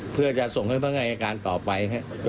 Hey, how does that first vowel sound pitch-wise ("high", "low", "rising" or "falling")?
falling